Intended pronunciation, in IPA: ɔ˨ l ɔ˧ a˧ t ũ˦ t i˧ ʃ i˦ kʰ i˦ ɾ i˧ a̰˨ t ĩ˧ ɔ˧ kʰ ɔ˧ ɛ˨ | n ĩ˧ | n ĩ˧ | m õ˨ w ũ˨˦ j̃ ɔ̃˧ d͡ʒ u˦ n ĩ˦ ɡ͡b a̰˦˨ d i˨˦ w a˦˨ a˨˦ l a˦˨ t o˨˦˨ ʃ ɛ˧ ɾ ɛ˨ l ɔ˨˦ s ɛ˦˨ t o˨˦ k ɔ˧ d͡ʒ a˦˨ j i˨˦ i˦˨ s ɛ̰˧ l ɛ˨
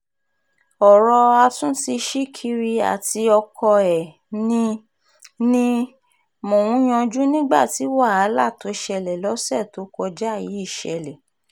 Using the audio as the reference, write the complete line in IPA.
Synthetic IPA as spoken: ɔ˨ ɾ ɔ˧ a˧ t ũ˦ t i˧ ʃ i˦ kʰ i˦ ɾ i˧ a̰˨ t i˧ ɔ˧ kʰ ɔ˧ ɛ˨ | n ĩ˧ | n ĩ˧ | m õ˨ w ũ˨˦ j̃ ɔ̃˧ d͡ʒ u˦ n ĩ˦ ɡ͡b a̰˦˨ t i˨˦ w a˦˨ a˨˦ l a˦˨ t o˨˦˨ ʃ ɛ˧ l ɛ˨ l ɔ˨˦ s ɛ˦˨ t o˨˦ k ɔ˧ d͡ʒ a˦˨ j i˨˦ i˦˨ ʃ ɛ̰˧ l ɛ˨